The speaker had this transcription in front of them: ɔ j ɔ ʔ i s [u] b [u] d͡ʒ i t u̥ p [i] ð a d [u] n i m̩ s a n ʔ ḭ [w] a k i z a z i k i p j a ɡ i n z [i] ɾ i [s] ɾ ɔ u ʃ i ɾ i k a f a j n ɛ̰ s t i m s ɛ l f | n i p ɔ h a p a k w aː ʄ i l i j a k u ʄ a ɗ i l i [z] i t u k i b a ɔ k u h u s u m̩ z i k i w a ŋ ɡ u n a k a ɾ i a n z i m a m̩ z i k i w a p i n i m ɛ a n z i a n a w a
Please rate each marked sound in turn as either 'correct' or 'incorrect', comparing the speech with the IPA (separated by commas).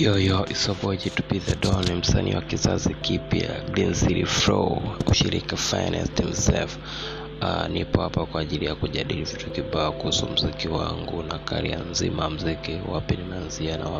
incorrect, incorrect, correct, incorrect, correct, correct, incorrect, incorrect